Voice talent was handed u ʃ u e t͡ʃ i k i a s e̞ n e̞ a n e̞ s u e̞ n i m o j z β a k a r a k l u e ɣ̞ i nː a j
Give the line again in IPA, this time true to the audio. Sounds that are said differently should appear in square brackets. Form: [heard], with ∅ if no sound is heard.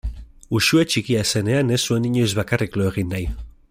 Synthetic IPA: u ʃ u e t͡ʃ i k i a s e̞ n e̞ a n e̞ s u e̞ n i [ɲ] o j z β a k a r [i] k l [o] e ɣ̞ i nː a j